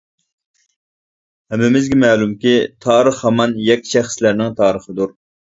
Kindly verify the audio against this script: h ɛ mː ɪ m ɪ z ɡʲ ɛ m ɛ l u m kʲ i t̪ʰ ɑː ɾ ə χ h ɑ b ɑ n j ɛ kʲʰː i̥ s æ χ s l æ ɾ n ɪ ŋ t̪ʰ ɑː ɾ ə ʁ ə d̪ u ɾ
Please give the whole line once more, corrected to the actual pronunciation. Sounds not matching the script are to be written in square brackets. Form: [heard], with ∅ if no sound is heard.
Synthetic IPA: h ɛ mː ɪ m ɪ z ɡʲ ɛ m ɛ l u m kʲ i t̪ʰ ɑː ɾ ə χ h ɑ [m] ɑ n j ɛ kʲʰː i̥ [ʃ] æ χ s l æ ɾ n ɪ ŋ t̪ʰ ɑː ɾ ə [χ] ə d̪ u ɾ